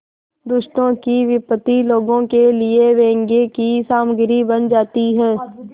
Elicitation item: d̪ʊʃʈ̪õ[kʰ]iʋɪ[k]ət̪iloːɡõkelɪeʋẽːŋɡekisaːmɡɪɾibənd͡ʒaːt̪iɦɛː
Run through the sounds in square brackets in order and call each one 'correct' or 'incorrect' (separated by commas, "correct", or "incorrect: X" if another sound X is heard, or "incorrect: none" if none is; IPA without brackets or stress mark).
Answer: incorrect: k, incorrect: p